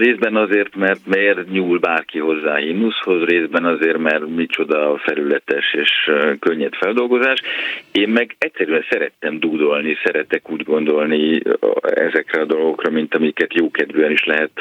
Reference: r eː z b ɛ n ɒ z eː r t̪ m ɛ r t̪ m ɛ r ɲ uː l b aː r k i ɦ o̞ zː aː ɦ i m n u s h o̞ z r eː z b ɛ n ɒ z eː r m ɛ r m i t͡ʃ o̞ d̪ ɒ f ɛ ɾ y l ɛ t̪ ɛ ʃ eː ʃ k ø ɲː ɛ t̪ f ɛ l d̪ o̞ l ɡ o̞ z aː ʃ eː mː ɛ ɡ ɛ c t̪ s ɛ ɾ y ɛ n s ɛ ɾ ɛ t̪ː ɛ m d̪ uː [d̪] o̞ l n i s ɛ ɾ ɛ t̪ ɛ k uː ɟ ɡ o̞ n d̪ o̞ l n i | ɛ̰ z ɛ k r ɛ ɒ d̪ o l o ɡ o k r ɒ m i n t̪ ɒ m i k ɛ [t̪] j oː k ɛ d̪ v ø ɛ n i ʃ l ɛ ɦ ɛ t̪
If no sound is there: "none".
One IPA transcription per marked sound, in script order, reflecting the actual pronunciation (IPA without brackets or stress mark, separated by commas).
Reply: d̪, t̪